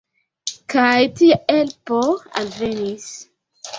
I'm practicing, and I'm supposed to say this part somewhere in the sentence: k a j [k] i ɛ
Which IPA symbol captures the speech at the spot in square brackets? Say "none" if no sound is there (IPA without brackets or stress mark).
t